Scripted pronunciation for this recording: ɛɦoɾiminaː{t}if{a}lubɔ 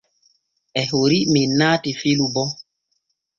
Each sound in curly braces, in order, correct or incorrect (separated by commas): correct, incorrect